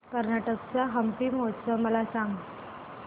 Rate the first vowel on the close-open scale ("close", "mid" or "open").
mid